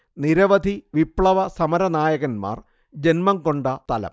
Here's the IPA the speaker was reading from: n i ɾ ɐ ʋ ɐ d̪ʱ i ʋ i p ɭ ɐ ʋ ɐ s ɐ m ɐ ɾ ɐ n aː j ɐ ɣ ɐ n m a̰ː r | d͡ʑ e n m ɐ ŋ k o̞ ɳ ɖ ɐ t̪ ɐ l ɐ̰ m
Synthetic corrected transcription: n i ɾ ɐ ʋ ɐ d̪ʱ i ʋ i p ɭ ɐ ʋ ɐ s ɐ m ɐ ɾ ɐ n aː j ɐ ɣ ɐ n m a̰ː r | d͡ʑ e n m ɐ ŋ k o̞ ɳ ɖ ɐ t̪ ɐ l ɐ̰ m